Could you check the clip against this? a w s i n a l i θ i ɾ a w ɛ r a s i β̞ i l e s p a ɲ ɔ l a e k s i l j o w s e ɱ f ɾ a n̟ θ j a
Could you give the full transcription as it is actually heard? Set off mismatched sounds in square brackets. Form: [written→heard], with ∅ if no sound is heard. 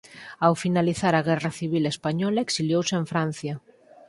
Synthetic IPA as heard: a w [s→f] i n a l i θ [i→a] ɾ a [w→ɣ] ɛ r a [s→θ] i β̞ i l e s p a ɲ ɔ l a e k s i l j o w s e ɱ f ɾ a n̟ θ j a